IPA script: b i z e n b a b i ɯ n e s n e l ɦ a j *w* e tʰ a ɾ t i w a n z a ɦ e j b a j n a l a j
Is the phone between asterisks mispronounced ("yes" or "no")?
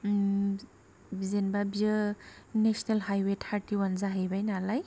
no